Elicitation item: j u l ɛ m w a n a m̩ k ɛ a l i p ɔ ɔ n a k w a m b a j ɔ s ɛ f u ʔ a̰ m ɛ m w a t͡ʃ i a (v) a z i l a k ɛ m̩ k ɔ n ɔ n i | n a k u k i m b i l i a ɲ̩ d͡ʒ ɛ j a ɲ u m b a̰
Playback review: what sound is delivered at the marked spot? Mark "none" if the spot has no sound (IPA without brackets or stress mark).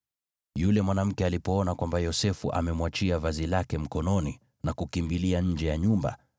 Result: v